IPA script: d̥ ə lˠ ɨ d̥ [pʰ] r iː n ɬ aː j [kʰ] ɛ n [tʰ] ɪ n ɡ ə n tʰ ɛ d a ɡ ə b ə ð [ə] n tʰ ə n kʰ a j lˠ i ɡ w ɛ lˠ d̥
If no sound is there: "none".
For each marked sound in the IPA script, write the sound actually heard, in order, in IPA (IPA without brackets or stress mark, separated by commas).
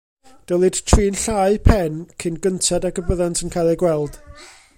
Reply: tʰ, pʰ, kʰ, a